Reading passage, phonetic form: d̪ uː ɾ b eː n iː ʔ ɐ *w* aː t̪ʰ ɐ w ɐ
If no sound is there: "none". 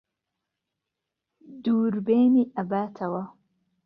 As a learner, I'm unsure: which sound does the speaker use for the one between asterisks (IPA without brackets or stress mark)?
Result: b